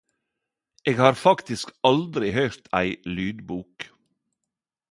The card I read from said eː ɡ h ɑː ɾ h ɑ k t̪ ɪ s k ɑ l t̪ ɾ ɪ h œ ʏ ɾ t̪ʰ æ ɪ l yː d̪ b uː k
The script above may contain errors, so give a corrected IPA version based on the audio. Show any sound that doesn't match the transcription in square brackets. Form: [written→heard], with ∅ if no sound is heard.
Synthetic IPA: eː ɡ h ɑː ɾ [h→f] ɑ k t̪ ɪ s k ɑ l [t̪→d̪] ɾ ɪ h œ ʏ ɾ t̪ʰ æ ɪ l yː d̪ b uː k